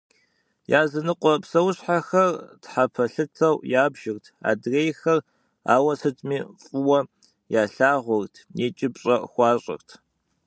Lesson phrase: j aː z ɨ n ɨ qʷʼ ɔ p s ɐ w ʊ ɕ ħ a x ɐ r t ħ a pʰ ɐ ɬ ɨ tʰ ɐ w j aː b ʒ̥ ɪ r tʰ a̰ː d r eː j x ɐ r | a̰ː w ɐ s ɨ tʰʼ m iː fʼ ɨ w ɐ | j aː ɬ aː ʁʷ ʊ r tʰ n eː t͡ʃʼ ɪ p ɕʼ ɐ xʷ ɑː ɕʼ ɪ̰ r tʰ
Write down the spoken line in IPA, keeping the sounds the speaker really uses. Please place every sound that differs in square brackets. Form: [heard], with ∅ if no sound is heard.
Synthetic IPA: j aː z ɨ n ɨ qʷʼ ɔ p s ɐ w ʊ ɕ ħ a x ɐ r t ħ a pʰ ɐ ɬ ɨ tʰ ɐ w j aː b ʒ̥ ɪ r tʰ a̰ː d r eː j x ɐ r | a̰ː w ɐ s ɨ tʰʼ m iː fʼ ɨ w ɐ | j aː ɬ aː ʁʷ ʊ r tʰ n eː t͡ʃʼ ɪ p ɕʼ ɐ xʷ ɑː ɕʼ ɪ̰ r tʰ